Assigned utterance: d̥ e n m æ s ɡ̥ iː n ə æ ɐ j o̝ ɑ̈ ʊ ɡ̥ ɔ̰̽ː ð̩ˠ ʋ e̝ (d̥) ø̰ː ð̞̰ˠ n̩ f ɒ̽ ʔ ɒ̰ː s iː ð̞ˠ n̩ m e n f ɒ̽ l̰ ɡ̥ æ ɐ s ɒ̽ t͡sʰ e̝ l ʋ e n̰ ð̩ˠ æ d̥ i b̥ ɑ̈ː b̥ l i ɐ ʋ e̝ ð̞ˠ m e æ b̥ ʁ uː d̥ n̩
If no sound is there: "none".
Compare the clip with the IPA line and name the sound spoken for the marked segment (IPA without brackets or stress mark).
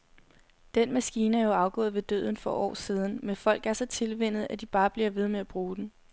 d̥